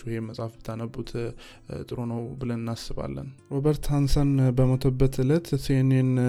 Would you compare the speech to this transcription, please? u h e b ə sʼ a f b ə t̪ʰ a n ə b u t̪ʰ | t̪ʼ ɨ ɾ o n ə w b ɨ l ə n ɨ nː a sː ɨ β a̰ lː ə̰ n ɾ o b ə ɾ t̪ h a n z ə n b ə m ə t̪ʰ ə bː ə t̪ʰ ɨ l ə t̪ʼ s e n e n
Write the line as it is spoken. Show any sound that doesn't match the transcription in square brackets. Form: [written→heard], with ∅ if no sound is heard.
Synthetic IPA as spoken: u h e [b→m] ə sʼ a f b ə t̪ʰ a n ə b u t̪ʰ | t̪ʼ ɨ ɾ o n ə w b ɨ l ə n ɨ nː a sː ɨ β a̰ lː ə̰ n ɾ o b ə ɾ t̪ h a n [z→s] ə n b ə m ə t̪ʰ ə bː ə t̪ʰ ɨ l ə [t̪ʼ→t̪] s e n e n